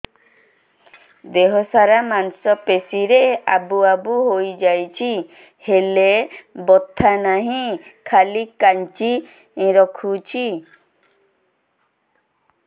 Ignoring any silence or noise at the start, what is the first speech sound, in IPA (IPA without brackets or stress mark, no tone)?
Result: d̪